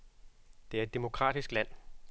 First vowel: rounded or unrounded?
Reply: unrounded